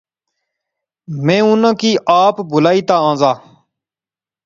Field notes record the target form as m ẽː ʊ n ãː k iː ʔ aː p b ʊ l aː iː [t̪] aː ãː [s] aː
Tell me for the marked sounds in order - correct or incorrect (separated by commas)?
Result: correct, incorrect